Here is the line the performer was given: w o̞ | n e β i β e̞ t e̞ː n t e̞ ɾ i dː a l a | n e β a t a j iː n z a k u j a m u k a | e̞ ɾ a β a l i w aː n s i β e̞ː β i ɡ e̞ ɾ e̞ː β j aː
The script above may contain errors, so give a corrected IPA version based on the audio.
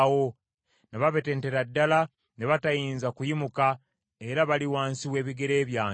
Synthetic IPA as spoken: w o̞ | n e β a β e̞ t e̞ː n t e̞ ɾ a dː a l a | n e β a t a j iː n z a k u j i m u k a | e̞ ɾ a β a l i w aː n s i w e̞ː β i ɡ e̞ ɾ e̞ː β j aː